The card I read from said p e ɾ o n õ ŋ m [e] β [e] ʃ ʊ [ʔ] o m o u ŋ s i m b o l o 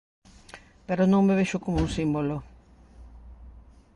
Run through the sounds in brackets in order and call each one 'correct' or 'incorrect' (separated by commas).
correct, correct, incorrect